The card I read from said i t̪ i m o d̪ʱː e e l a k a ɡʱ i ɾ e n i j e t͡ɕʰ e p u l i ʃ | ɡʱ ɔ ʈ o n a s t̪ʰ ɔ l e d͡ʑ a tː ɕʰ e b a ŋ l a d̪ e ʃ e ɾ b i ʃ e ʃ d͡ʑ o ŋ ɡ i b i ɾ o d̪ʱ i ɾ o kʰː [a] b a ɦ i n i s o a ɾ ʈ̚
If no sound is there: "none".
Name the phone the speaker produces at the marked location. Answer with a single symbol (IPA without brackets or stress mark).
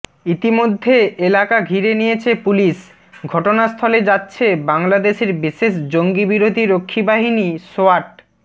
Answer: i